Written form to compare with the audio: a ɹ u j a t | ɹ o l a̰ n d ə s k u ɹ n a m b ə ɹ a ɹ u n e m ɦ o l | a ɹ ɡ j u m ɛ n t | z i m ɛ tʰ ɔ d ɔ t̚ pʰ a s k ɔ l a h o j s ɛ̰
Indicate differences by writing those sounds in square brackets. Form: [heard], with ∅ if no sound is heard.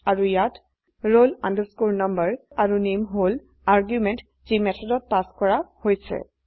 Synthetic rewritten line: a ɹ u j a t | ɹ o l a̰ n d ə s k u ɹ n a m b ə ɹ a ɹ u n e m ɦ o l | a ɹ ɡ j u m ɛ n t | z i m ɛ tʰ ɔ d ɔ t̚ [p] a s k ɔ [ɹ] a h o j s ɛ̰